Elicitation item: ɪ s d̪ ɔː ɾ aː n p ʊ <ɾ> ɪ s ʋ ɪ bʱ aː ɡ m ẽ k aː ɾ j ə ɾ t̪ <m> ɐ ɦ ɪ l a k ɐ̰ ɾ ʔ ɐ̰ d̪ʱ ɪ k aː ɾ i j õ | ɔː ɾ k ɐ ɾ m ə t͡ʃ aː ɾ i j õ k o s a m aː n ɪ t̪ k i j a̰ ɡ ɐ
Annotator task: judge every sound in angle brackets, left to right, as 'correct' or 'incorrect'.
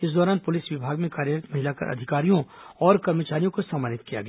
incorrect: l, correct

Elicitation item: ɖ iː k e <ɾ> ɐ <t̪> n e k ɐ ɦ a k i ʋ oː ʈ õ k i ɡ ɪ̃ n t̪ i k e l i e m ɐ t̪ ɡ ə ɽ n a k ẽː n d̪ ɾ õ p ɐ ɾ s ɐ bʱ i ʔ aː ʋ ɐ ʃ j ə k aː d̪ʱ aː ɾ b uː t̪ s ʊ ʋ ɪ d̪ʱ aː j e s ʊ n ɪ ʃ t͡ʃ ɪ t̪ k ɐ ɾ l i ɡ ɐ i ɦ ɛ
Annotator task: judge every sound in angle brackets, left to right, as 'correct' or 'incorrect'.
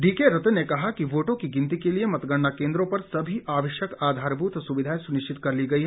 correct, correct

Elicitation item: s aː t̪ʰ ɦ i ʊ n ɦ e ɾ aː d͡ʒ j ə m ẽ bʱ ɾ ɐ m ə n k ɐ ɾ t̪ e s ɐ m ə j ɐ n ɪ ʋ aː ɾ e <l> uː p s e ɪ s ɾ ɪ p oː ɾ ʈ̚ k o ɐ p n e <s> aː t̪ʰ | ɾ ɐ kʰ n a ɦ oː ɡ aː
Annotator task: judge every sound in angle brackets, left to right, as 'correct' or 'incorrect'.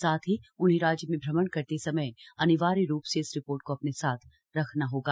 incorrect: ɾ, correct

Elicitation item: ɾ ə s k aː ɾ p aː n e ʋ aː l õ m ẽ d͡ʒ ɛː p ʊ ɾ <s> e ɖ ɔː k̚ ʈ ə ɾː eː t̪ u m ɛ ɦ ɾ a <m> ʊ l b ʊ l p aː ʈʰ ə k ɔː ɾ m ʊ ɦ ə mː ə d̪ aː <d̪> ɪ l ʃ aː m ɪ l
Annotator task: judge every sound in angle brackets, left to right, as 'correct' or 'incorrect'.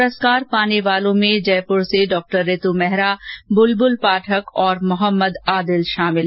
correct, incorrect: b, correct

